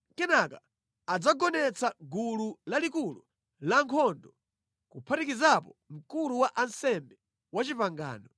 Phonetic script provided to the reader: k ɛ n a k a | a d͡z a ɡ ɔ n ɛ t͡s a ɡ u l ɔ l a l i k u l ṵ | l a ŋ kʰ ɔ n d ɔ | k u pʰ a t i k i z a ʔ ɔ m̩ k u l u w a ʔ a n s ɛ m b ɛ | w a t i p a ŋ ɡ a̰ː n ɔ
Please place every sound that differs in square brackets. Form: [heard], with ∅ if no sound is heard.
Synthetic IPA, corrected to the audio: k ɛ n a k a | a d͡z a ɡ ɔ n ɛ t͡s a ɡ u l [u] l a l i k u l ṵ | l a ŋ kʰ ɔ n d ɔ | k u pʰ a t i k i z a [p] ɔ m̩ k u l u w a ʔ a n s ɛ m b ɛ | w a [t͡ʃ] i p a ŋ ɡ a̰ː n ɔ